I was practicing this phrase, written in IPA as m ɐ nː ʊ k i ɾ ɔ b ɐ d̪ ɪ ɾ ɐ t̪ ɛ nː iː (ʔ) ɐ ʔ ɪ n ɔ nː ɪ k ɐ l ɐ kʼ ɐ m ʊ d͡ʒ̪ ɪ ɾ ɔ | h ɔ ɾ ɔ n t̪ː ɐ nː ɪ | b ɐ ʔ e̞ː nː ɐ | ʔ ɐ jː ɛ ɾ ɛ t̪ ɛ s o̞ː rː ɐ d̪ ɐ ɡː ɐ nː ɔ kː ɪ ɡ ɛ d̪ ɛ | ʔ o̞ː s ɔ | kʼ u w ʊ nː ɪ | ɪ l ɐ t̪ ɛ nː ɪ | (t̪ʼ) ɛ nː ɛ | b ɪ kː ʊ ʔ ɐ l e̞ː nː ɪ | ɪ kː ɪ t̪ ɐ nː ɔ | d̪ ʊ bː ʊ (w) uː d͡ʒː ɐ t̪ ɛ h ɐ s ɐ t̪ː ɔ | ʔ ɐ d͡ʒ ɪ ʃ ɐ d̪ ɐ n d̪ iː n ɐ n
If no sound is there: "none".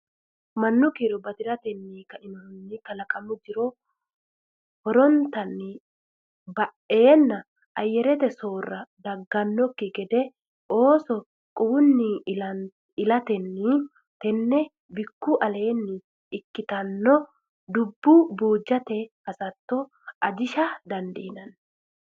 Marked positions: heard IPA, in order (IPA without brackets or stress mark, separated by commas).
k, t̪, b